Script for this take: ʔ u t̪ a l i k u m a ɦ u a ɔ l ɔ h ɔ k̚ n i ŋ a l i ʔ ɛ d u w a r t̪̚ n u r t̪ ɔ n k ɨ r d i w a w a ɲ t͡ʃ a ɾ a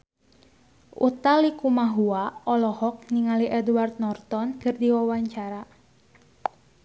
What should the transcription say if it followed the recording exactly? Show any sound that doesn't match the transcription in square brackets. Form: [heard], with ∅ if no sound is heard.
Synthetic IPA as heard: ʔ u t̪ a l i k u m a ɦ u a ɔ l ɔ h ɔ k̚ n i ŋ a l i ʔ ɛ d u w a r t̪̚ n [ɔ] r t̪ ɔ n k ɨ r d i w a w a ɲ t͡ʃ a ɾ a